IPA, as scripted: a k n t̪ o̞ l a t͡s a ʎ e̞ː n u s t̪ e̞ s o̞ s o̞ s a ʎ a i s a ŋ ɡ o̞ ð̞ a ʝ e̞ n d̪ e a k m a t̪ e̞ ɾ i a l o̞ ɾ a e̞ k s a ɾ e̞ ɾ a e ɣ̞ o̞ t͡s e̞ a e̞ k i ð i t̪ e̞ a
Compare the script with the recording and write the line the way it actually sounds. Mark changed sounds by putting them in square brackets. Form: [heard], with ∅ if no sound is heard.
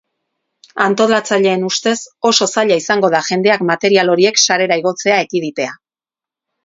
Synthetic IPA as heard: a [∅] n t̪ o̞ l a t͡s a ʎ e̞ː n u s t̪ e̞ s o̞ s o̞ s a ʎ a i s a ŋ ɡ o̞ ð̞ a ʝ e̞ n d̪ e a k m a t̪ e̞ ɾ i a l o̞ ɾ [i] e̞ k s a ɾ e̞ ɾ a [i] ɣ̞ o̞ t͡s e̞ a e̞ k i ð i t̪ e̞ a